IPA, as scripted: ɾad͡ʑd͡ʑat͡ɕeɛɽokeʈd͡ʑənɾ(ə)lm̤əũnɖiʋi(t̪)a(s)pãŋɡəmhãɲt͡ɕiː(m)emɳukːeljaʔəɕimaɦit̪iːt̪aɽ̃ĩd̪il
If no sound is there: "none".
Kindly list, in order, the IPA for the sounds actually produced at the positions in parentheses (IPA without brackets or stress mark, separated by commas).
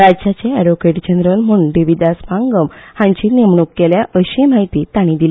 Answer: ə, d̪, s, n